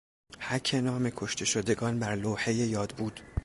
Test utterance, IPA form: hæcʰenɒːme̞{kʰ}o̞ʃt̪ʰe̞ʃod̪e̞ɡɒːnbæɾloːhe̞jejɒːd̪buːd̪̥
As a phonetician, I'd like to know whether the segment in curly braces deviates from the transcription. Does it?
no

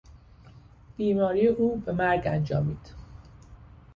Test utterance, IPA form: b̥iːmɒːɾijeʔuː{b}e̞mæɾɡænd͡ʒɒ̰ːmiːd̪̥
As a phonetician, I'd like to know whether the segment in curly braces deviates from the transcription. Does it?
no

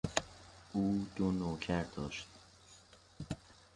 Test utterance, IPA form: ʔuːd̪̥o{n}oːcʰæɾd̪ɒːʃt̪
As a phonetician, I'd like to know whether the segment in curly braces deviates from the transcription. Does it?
no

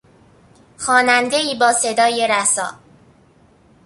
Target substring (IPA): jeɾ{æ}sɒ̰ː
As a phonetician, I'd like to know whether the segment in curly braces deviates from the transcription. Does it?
no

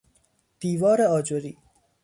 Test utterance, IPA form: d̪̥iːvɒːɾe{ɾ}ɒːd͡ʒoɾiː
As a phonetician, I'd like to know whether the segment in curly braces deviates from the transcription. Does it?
yes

